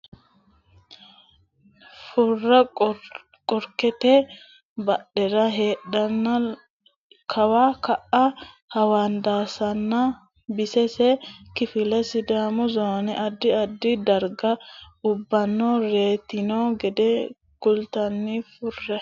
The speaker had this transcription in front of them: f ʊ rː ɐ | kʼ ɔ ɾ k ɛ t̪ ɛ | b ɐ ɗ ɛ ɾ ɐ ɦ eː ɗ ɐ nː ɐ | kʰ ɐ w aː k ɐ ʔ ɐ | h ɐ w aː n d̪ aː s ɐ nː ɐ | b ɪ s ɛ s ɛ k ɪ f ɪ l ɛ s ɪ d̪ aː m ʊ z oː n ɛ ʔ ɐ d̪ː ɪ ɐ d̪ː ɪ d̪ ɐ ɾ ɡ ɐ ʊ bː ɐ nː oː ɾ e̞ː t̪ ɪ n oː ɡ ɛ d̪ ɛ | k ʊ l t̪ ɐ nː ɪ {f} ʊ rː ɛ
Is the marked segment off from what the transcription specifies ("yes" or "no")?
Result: no